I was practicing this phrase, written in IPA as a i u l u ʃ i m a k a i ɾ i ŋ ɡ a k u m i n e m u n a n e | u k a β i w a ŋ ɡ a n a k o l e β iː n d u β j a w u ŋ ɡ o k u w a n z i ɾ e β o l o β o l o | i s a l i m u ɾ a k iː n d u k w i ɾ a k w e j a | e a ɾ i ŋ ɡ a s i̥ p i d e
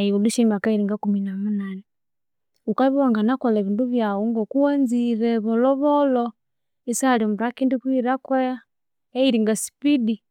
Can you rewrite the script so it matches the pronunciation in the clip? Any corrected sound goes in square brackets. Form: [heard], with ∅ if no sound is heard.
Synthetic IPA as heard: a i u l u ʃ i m a k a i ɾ i ŋ ɡ a k u m i n [a] m u n a n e | u k a β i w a ŋ ɡ a n a k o l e β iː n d u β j a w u ŋ ɡ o k u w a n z i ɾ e β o l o β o l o | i s a l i m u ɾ a k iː n d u k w i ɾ a k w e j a | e [i] ɾ i ŋ ɡ a s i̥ p i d [i]